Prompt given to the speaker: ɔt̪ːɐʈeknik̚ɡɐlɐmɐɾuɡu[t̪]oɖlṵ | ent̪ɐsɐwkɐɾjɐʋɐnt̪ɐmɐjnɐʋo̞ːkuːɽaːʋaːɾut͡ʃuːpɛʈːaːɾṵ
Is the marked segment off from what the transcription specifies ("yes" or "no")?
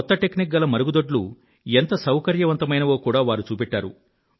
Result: yes